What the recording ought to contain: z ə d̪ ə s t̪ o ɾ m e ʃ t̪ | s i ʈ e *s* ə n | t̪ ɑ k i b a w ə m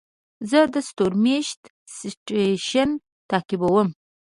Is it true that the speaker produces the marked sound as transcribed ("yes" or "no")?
no